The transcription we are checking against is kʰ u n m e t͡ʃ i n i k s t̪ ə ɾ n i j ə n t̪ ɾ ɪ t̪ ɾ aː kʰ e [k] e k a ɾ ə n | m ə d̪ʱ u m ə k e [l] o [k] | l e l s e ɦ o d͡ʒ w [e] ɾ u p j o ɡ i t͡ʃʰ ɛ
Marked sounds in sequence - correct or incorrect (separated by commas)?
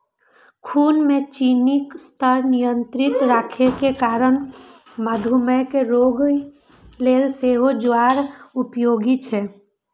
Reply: correct, incorrect, incorrect, incorrect